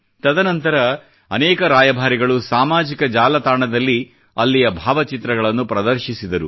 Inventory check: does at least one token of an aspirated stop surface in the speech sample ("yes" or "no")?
no